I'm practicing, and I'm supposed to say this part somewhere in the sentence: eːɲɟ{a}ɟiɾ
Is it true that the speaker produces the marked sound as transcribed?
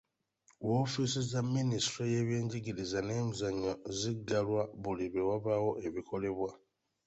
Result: no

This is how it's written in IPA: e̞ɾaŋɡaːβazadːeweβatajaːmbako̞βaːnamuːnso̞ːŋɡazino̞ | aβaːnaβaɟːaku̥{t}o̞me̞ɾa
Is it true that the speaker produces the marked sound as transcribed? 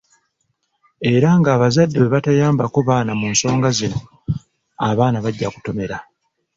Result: yes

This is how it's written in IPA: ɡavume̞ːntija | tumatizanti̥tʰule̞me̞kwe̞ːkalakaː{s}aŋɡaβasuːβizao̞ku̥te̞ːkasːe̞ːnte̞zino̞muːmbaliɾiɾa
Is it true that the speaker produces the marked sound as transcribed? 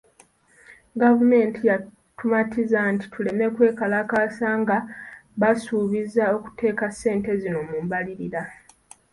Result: yes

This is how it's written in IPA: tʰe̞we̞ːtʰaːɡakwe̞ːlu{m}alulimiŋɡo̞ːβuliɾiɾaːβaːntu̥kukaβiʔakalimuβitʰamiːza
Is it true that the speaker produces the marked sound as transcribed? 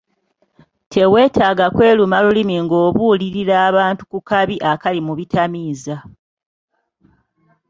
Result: yes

